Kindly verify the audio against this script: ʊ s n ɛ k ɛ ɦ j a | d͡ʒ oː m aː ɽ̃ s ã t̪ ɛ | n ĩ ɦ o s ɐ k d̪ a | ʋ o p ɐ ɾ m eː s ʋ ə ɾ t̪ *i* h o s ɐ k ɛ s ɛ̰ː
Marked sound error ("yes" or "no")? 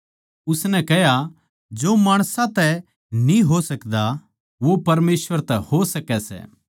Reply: yes